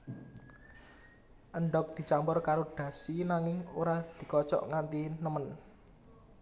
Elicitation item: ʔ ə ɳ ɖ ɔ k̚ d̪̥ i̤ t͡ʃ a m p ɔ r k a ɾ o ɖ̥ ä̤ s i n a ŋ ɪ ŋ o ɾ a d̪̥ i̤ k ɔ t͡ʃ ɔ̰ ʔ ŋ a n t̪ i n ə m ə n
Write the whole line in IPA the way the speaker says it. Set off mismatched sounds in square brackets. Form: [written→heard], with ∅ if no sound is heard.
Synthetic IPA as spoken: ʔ ə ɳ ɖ ɔ k̚ d̪̥ i̤ t͡ʃ a m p ɔ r k a ɾ o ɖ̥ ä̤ s i n a ŋ ɪ ŋ o ɾ a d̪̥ i̤ k ɔ t͡ʃ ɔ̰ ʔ ŋ a n t̪ i n ə m ə n